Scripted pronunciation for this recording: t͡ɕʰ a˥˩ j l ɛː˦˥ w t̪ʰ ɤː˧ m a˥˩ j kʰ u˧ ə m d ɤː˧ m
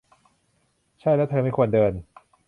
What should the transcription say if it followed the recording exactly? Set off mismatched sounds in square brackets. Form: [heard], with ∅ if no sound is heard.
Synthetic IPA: t͡ɕʰ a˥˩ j l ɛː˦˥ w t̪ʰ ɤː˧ m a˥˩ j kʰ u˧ ə [n] d ɤː˧ [n]

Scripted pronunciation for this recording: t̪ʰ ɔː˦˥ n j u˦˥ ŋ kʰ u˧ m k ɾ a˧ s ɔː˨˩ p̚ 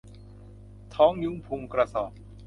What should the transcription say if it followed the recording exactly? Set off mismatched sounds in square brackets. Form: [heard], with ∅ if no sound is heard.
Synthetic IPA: t̪ʰ ɔː˦˥ [ŋ] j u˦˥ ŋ [pʰ] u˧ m k ɾ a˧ s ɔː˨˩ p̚

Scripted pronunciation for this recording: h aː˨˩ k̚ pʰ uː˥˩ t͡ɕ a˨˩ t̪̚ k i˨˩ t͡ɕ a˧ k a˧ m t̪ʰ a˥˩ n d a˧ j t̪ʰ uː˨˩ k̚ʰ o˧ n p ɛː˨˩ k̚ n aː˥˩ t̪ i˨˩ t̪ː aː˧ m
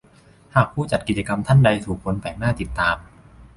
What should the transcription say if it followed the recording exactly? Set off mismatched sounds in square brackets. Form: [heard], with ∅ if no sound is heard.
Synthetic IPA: h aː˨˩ k̚ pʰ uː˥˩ t͡ɕ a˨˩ t̪̚ k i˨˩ t͡ɕ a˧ k a˧ m t̪ʰ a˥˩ n d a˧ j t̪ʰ uː˨˩ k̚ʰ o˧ n p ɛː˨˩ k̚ n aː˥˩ t̪ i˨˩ t̪ː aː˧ m

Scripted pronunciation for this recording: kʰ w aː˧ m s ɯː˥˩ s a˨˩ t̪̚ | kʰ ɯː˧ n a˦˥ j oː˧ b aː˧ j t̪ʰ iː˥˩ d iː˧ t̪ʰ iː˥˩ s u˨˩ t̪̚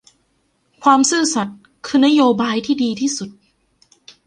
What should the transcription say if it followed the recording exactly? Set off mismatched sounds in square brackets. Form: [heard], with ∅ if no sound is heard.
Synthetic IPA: kʰ w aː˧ m s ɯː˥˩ s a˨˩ t̪̚ | kʰ ɯː˧ n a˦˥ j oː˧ b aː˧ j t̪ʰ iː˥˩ d iː˧ t̪ʰ iː˥˩ s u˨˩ t̪̚

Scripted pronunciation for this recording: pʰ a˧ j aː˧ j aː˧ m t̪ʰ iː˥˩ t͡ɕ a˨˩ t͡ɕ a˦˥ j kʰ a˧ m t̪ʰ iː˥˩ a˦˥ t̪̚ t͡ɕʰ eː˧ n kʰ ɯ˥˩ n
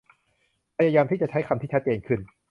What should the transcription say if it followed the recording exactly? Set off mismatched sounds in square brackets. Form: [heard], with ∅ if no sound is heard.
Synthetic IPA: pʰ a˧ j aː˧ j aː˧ m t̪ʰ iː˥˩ t͡ɕ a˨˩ [t͡ɕʰ] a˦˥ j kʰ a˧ m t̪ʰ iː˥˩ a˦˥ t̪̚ [t͡ɕ] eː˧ n kʰ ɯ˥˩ n

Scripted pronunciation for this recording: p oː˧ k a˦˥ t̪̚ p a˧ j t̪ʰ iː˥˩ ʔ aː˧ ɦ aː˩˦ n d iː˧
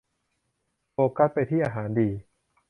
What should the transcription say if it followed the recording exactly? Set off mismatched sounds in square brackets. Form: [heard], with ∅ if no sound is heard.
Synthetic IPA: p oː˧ k a˦˥ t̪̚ p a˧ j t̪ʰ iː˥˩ ʔ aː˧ ɦ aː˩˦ n d iː˧

